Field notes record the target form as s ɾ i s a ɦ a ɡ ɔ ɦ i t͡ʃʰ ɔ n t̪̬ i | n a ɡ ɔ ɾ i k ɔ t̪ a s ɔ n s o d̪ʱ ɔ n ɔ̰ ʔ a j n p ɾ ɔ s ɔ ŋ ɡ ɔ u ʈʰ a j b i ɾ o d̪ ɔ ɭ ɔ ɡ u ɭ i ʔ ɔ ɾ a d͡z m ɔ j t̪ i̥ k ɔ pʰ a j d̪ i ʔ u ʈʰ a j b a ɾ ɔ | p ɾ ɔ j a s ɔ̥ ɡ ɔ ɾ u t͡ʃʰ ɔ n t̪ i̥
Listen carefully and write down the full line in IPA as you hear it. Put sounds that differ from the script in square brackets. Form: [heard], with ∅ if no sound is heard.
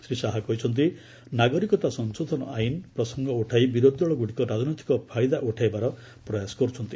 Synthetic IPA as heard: s ɾ i s a ɦ a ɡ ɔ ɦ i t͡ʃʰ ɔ n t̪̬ i | n a ɡ ɔ ɾ i k ɔ t̪ a s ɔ n s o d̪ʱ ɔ n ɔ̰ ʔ a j n p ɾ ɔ s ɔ ŋ ɡ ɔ u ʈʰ a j b i ɾ o d̪ ɔ ɭ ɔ ɡ u [ɽ] i [k] ɔ ɾ a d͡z [n] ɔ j t̪ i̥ k ɔ pʰ a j d̪ [a] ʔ u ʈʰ a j b a ɾ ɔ | p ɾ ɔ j a s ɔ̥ ɡ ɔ ɾ u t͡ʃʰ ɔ n t̪ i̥

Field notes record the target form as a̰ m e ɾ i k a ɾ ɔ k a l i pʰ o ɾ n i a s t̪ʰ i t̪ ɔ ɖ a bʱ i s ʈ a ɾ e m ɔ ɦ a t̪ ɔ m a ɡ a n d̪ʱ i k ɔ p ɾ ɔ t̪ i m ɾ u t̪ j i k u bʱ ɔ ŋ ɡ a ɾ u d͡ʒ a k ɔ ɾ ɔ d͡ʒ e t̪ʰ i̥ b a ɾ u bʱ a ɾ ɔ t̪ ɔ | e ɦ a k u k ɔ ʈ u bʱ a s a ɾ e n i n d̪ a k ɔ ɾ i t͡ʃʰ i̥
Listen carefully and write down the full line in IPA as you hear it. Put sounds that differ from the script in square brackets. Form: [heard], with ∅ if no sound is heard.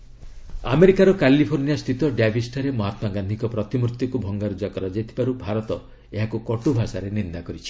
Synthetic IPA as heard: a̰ m e ɾ i k a ɾ ɔ k a l i pʰ o ɾ n i a s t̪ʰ i t̪ ɔ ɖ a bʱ i s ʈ a ɾ e m ɔ ɦ a t̪ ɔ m a ɡ a n d̪ʱ i k ɔ p ɾ ɔ t̪ i m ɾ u t̪ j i k u bʱ ɔ ŋ ɡ a ɾ u d͡ʒ a k ɔ ɾ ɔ d͡ʒ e t̪ʰ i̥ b a ɾ u bʱ a ɾ ɔ t̪ ɔ | e ɦ a k u k ɔ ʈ u bʱ a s a ɾ e n i n d̪ a k ɔ ɾ i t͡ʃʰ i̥

